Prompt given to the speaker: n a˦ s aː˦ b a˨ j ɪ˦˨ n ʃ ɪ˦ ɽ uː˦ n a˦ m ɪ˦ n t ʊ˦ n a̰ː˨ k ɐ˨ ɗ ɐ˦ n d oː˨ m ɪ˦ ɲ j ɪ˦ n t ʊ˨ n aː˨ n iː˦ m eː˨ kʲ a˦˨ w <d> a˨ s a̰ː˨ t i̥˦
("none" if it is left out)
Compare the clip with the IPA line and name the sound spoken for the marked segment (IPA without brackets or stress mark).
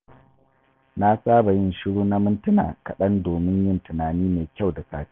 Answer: d